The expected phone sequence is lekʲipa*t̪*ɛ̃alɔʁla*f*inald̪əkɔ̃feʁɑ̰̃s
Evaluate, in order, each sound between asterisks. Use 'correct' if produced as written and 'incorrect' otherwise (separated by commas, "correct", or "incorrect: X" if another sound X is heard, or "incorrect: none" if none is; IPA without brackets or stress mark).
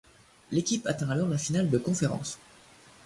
correct, correct